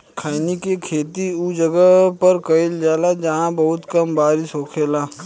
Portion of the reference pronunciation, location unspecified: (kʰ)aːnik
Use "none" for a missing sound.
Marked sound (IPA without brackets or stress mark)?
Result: kʰ